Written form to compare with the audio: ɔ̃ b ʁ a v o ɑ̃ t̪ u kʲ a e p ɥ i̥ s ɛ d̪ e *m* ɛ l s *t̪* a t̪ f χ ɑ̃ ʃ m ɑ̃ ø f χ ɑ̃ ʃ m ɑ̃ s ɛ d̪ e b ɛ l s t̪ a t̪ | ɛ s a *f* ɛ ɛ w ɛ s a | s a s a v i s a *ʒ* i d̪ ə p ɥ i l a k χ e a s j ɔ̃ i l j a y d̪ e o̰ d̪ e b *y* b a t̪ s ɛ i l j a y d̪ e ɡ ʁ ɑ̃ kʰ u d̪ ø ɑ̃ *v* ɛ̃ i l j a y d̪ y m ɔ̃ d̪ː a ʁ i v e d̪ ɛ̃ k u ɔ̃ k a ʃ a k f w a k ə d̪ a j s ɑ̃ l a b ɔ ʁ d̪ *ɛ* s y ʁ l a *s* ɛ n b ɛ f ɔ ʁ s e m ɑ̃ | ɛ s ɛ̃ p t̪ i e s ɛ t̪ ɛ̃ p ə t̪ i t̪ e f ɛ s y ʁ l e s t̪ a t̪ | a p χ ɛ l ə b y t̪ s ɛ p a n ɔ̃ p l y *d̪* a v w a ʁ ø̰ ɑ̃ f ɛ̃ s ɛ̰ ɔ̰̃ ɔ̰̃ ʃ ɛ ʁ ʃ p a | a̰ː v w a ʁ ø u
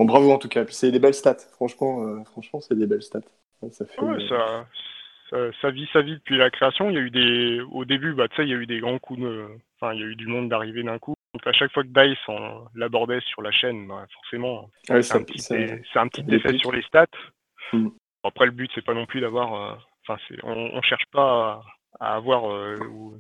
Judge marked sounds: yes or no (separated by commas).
no, yes, yes, no, yes, no, yes, no, yes